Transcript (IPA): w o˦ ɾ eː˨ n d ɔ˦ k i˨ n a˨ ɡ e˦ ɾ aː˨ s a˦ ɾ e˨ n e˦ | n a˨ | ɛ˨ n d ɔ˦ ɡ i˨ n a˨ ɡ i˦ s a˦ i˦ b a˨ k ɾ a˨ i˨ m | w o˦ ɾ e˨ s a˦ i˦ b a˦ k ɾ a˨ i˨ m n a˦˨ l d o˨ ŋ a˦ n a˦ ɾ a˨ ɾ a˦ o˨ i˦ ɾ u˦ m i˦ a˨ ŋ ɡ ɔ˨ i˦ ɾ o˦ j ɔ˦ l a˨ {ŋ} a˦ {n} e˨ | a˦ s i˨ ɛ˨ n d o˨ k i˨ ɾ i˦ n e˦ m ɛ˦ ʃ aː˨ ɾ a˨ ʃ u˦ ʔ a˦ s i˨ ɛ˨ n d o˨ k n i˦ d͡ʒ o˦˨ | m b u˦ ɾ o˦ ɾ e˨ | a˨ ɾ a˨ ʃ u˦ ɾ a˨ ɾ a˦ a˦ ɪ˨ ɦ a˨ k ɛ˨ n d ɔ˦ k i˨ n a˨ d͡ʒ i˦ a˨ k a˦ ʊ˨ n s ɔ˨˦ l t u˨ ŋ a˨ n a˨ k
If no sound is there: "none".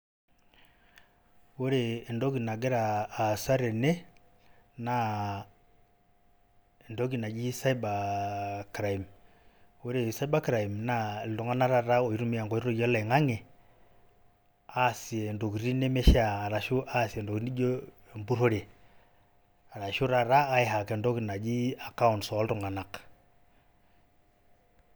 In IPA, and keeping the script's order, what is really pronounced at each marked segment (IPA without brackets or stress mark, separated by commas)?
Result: ŋ, ŋ